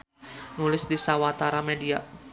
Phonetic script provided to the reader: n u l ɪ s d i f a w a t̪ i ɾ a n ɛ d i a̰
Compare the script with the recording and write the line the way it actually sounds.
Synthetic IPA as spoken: n u l ɪ s d i s a w a t̪ a ɾ a m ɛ d i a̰